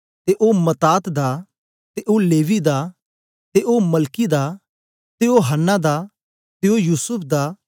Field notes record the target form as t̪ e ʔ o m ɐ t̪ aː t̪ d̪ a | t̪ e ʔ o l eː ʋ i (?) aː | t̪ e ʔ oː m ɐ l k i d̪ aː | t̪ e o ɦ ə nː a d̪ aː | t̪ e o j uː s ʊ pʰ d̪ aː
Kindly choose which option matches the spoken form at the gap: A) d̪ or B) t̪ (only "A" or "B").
A